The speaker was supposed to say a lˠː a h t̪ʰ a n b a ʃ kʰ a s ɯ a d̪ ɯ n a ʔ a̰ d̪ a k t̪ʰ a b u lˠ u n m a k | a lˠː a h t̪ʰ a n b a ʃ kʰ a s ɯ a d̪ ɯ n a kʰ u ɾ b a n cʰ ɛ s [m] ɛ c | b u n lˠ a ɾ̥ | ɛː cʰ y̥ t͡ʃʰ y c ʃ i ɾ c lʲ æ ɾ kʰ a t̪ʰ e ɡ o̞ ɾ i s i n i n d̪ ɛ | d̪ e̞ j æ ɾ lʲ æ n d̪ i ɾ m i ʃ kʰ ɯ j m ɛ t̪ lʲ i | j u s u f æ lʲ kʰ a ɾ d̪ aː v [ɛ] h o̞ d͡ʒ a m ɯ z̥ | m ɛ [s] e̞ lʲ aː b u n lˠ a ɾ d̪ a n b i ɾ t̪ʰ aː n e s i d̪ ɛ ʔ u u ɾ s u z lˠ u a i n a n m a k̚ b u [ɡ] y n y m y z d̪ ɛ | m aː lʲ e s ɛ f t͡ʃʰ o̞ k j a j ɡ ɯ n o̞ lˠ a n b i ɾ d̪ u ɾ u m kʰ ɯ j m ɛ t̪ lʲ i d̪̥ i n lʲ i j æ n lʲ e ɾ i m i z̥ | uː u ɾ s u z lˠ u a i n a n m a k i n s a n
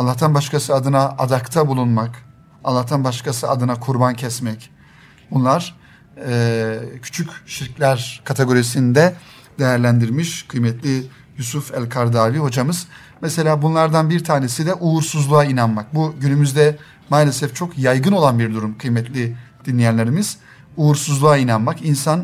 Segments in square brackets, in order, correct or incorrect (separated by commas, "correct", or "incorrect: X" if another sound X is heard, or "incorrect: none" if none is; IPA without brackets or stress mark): correct, incorrect: i, correct, incorrect: ɟ